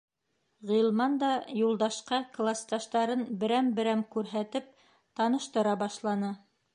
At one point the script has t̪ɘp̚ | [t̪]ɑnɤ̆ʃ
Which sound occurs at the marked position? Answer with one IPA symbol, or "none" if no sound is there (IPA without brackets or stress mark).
t̪